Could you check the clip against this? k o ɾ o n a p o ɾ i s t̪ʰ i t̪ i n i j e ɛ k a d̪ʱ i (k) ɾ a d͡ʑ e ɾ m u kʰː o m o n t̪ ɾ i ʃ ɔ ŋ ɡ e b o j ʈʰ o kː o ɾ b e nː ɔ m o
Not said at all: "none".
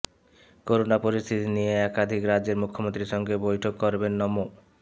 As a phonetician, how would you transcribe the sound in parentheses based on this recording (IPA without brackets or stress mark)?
k